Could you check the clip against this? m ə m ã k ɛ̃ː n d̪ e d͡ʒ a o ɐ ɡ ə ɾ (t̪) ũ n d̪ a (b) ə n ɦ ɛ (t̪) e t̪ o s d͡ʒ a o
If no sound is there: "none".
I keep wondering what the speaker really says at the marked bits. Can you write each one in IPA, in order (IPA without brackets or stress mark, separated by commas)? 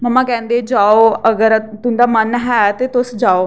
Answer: t̪, m, t̪